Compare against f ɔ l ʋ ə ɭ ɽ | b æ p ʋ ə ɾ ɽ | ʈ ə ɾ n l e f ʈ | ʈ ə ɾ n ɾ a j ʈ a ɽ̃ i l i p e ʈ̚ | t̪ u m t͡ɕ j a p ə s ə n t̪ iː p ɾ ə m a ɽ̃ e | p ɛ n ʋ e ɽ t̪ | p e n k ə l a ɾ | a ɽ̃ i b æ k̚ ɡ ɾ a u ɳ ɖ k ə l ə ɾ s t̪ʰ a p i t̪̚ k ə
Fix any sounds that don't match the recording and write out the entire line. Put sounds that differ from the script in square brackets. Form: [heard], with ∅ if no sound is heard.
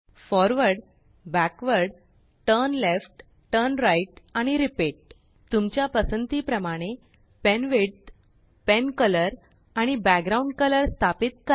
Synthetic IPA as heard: f ɔ [ɾ] ʋ ə [ɾ] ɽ | b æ [k] ʋ ə ɾ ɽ | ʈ ə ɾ n l e f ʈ | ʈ ə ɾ n ɾ a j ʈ a ɽ̃ i [ɾ] i p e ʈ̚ | t̪ u m t͡ɕ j a p ə s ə n t̪ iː p ɾ ə m a ɽ̃ e | p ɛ n ʋ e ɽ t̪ | p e n k ə l [ə] ɾ | a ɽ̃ i b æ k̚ ɡ ɾ a u ɳ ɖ k ə l ə ɾ s t̪ʰ a p i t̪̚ k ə